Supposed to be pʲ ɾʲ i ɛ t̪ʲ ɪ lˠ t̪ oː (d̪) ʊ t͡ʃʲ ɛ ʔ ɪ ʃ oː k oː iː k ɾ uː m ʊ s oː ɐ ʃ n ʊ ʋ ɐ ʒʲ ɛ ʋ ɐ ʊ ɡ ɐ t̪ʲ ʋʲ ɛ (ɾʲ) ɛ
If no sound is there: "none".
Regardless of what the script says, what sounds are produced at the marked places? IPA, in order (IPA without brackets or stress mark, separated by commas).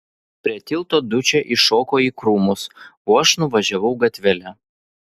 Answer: d̪, lʲ